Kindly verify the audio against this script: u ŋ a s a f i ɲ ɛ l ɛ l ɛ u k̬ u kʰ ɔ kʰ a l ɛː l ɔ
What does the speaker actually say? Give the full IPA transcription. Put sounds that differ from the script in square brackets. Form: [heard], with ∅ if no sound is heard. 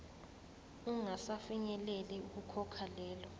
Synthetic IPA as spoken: u ŋ a s a f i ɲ ɛ l ɛ l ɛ u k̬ u kʰ ɔ kʰ a l ɛː l ɔ